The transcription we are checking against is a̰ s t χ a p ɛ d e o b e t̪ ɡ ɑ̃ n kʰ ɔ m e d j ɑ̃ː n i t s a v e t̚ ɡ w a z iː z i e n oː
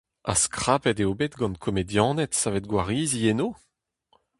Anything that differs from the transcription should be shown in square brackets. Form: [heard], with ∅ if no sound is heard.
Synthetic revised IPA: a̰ s [k] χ a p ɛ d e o b e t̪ ɡ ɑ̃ n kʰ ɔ m e d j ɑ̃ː n [ɛ] t s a v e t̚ ɡ w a [ʁ] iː z i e n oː